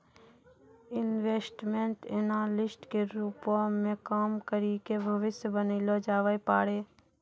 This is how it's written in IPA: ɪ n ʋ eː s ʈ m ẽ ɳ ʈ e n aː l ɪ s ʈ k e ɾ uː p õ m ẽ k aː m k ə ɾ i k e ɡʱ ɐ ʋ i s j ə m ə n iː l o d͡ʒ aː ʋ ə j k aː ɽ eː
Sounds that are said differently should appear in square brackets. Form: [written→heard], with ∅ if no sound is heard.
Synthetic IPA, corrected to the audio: ɪ n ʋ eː s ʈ m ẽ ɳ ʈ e n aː l ɪ s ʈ k e ɾ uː p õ m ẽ k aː m k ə ɾ i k e [ɡʱ→bʱ] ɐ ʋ [i→ɪ] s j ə [m→b] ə n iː l o d͡ʒ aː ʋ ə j [k→p] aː ɽ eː